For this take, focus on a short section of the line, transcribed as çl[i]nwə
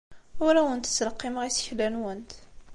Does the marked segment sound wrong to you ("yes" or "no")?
yes